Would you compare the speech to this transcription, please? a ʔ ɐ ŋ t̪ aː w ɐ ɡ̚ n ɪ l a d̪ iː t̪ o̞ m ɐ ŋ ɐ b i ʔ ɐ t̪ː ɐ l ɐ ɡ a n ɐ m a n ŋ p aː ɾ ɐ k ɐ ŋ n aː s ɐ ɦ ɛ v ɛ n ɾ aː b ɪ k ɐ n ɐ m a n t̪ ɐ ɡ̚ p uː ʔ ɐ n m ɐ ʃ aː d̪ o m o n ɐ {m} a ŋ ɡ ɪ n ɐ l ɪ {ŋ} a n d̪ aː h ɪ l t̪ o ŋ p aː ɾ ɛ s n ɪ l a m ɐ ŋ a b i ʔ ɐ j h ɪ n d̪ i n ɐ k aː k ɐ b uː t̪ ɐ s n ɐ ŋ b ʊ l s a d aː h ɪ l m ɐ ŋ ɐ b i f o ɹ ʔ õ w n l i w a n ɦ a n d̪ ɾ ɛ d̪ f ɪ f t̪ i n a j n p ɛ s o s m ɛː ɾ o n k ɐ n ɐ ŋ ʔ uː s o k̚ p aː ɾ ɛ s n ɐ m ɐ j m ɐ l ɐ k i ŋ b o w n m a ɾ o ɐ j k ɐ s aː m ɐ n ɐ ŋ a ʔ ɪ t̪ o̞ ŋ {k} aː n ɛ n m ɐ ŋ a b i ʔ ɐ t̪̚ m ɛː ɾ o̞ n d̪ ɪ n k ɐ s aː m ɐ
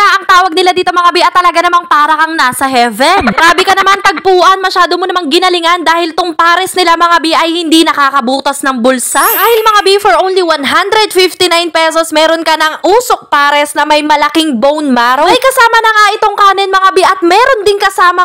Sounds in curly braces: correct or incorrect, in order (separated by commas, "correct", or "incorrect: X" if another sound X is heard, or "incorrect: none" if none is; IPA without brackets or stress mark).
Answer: correct, correct, correct